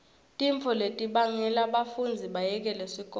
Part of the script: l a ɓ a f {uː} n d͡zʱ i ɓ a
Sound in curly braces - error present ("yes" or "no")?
yes